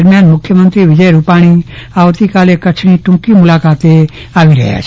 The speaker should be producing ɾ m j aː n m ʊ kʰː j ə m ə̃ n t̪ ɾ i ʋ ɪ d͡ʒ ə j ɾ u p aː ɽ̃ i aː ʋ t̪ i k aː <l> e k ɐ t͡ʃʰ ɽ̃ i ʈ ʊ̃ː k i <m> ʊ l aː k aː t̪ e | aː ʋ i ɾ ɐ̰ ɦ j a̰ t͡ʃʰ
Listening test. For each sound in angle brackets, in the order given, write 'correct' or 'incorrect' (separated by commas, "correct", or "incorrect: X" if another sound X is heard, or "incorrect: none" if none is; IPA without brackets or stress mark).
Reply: correct, correct